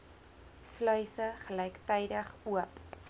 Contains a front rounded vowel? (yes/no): yes